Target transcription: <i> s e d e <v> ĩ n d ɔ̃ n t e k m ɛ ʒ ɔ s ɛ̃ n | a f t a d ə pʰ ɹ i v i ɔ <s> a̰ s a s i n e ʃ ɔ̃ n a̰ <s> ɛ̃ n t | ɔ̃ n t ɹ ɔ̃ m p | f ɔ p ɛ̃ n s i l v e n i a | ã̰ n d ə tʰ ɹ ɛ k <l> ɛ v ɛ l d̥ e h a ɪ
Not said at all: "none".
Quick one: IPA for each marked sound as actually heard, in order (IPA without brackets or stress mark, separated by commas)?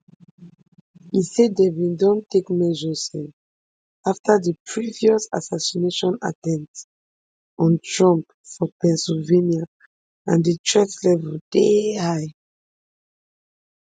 i, v, s, t, l